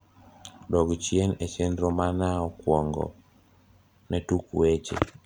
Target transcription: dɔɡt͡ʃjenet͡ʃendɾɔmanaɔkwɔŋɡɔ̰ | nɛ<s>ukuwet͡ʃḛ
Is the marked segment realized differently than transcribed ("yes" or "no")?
yes